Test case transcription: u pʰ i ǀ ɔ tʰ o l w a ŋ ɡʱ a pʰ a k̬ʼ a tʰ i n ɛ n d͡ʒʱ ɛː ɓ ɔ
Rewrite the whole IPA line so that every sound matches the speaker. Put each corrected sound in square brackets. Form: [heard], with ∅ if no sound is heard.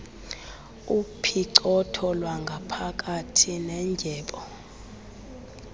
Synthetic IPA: u pʰ i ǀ ɔ tʰ [ɔ] l w a ŋ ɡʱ a pʰ a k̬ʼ a tʰ i n ɛ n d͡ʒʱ ɛː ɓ ɔ

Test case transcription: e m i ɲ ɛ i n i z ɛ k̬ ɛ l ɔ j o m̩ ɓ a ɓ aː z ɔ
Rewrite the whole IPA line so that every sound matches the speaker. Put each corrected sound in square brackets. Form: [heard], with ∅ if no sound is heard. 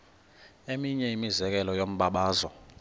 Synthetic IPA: e m i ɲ ɛ i [m] i z ɛ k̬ ɛ l ɔ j o m̩ ɓ a ɓ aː z ɔ

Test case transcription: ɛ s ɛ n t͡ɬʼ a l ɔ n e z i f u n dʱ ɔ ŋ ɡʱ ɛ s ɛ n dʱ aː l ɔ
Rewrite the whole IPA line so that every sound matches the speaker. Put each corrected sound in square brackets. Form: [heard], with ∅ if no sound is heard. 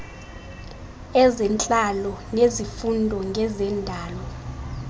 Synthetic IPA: ɛ [z] ɛ n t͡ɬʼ a l ɔ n e z i f u n dʱ ɔ ŋ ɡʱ ɛ [z] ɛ n dʱ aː l ɔ

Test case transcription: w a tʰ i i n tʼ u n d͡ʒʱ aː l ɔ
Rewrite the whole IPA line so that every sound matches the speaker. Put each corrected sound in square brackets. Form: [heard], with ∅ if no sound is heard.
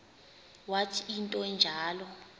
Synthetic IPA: w a tʰ i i n tʼ [ɔ] n d͡ʒʱ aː l ɔ

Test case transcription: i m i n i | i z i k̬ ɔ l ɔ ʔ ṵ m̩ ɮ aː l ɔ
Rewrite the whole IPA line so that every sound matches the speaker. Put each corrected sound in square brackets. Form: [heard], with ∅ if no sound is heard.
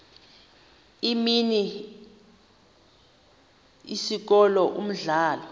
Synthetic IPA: i m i n i | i [s] i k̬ ɔ l ɔ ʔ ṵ m̩ ɮ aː l ɔ

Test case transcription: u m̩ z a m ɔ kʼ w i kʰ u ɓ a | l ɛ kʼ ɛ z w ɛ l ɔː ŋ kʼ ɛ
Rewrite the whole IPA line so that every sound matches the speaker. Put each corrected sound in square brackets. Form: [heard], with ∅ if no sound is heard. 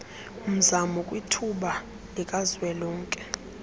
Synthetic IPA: u m̩ z a m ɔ kʼ w i [tʰ] u ɓ a | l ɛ kʼ [a] z w ɛ l ɔː ŋ kʼ ɛ

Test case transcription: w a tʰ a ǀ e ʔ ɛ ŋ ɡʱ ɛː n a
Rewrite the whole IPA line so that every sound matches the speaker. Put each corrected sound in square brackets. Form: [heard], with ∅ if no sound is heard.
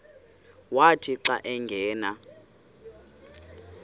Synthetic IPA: w a tʰ [i] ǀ [a] ʔ ɛ ŋ ɡʱ ɛː n a

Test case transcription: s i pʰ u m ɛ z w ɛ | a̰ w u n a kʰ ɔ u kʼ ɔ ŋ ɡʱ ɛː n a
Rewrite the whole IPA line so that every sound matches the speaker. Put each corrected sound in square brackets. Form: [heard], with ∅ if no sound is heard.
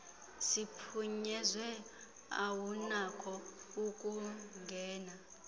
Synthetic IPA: s i pʰ u [ɲ] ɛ z w ɛ | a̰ w u n a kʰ ɔ u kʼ [u] ŋ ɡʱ ɛː n a

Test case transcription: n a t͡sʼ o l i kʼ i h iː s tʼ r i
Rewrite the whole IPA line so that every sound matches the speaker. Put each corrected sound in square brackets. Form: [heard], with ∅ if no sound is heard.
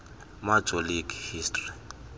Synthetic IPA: [m] a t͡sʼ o l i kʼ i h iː s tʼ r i

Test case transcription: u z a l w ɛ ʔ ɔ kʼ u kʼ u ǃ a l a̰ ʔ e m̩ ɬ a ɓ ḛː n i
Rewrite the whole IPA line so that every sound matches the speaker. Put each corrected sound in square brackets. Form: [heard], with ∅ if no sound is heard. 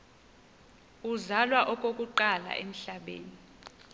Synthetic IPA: u z a l w [a] ʔ ɔ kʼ [o] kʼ u ǃ a l a̰ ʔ e m̩ ɬ a ɓ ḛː n i

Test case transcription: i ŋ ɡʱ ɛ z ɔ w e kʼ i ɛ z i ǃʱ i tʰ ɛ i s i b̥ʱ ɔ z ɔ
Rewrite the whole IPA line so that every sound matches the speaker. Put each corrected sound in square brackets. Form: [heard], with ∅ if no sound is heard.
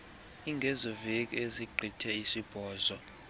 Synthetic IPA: i ŋ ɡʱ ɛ z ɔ [v] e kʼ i [e] z i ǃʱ i tʰ ɛ i s i b̥ʱ [ɔː] z ɔ

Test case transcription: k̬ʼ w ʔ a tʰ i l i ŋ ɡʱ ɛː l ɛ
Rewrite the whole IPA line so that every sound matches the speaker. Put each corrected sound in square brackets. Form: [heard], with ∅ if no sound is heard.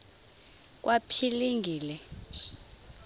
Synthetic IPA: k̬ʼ w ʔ a [pʰ] i l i ŋ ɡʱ [iː] l ɛ

